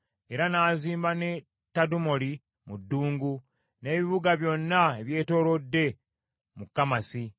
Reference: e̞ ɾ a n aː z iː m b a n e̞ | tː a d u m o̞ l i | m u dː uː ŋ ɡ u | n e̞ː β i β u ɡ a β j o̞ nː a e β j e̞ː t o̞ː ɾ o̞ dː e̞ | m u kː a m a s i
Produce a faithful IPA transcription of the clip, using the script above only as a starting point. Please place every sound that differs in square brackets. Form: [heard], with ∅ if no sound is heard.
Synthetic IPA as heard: e̞ ɾ a n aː z iː m b a n e̞ | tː a d u m o̞ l i | m u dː uː ŋ ɡ u | n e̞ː β i β u ɡ a β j o̞ nː a e β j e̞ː t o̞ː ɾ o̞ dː e̞ | m u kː a m a s i